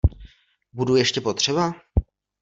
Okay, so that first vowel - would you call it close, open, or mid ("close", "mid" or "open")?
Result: close